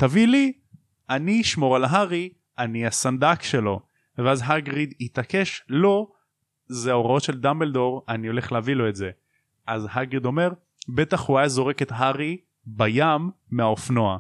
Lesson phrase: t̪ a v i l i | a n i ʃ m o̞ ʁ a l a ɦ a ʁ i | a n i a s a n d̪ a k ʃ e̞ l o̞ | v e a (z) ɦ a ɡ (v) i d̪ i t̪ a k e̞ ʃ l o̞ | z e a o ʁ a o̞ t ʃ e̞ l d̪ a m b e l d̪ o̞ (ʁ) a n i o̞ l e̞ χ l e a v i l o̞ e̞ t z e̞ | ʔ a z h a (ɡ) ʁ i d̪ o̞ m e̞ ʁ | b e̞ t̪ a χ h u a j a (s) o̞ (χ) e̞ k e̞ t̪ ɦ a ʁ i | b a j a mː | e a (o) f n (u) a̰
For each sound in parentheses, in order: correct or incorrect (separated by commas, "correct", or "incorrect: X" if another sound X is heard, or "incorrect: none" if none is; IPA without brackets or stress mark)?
correct, incorrect: ʁ, correct, correct, incorrect: z, incorrect: ʁ, correct, incorrect: o